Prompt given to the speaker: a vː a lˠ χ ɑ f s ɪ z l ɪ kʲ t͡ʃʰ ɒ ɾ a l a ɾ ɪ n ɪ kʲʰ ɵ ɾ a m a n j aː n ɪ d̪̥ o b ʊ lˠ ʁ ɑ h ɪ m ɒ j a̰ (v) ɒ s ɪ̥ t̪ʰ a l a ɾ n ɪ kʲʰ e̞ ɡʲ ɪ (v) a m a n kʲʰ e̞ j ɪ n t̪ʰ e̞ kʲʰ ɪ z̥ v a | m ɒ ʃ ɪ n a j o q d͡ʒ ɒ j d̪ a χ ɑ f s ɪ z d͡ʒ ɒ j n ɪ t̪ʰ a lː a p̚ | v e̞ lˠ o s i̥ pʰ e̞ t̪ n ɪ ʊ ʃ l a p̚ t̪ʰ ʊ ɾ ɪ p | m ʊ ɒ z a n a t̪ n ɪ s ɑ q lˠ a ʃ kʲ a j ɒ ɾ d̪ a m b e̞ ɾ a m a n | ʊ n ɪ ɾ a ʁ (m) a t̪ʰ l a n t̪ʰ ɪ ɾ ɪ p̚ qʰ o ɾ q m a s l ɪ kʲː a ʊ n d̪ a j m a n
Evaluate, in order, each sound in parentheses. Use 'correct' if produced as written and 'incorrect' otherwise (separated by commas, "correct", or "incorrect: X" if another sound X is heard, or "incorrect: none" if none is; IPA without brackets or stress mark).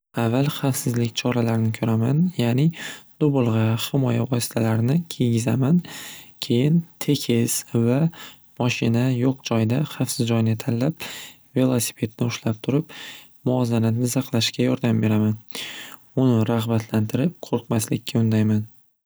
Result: correct, incorrect: z, incorrect: b